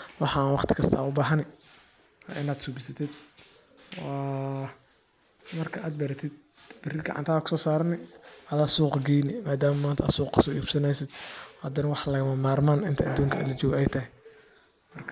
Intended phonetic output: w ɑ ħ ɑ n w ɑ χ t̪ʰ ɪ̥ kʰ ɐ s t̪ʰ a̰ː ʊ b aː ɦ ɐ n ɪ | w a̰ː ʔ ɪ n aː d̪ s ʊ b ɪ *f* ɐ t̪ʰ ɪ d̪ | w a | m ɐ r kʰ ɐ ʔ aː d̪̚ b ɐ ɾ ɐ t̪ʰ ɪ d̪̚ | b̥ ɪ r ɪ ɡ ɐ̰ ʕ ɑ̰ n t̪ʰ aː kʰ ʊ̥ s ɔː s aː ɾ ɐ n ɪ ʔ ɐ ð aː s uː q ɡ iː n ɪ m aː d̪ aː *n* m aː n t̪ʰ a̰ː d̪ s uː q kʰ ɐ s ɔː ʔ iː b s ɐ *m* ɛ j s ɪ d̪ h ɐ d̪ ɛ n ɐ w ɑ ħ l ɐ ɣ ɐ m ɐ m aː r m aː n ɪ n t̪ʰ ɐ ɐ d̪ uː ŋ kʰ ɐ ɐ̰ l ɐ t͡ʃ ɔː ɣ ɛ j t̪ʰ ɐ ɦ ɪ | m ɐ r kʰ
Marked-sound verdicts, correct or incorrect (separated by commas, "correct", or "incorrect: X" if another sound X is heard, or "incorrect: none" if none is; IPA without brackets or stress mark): incorrect: s, incorrect: m, incorrect: n